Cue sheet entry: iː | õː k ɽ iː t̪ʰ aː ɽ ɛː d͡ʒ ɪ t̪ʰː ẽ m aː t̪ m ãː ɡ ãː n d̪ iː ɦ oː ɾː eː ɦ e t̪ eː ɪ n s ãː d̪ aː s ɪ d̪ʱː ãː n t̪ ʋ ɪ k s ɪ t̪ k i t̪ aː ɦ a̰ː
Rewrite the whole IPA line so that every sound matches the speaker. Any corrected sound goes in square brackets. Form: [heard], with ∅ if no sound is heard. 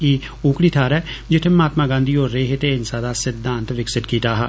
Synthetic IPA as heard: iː | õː k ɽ iː t̪ʰ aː [ɾ] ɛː d͡ʒ ɪ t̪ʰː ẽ m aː t̪ m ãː ɡ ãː n d̪ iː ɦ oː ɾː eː ɦ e t̪ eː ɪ n s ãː d̪ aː s ɪ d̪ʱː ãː n t̪ ʋ ɪ k s ɪ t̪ k [iː] t̪ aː ɦ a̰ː